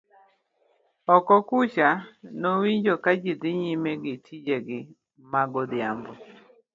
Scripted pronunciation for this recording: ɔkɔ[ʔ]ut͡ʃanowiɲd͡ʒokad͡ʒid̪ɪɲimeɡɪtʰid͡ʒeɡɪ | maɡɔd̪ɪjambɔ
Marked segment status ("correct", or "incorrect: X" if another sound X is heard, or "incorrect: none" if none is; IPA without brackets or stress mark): incorrect: k